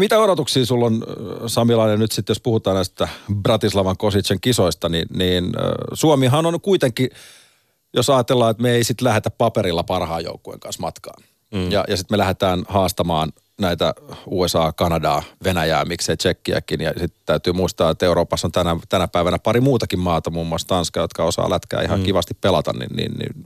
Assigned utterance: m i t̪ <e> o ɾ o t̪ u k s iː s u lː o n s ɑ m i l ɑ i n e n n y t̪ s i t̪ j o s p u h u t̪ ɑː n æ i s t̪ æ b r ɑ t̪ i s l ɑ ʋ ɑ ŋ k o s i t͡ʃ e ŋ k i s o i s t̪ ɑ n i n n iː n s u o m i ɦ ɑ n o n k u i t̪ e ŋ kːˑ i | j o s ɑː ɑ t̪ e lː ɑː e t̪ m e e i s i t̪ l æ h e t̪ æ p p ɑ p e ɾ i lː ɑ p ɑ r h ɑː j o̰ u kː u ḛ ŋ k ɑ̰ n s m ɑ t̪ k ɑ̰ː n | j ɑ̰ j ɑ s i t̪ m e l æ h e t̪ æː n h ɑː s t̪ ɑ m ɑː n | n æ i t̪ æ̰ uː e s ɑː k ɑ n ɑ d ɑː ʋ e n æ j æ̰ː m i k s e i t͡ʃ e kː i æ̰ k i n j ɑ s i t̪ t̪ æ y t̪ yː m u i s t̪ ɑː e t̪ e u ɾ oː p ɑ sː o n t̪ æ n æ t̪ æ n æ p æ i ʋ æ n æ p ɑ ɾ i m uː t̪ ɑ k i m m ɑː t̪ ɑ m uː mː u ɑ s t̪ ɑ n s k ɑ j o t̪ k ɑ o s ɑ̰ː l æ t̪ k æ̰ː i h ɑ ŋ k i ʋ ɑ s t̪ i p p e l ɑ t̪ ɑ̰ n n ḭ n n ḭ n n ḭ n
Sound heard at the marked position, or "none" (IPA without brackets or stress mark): æ